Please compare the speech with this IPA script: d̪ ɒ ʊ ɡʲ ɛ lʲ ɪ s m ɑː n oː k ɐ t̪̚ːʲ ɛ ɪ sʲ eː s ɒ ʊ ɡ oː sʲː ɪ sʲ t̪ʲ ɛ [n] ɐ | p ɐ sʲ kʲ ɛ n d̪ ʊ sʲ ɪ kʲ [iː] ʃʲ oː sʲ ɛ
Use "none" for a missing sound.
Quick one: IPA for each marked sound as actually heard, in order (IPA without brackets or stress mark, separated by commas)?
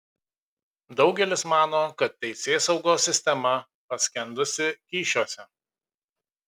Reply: m, iː